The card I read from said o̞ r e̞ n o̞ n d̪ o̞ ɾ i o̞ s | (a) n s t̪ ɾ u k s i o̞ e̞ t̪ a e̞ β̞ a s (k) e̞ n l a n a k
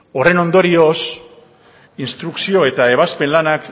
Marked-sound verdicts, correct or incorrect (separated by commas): incorrect, incorrect